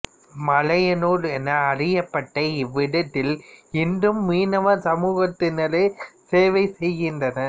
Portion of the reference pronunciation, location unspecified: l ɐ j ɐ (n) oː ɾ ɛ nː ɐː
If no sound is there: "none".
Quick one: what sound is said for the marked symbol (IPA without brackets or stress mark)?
n